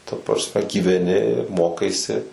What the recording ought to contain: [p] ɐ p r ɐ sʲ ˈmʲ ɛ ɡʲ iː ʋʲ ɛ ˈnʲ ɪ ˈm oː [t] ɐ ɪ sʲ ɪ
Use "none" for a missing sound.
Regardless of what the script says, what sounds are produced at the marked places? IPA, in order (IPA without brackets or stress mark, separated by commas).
t, k